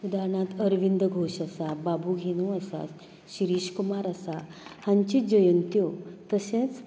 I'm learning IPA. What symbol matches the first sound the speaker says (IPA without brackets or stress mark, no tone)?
u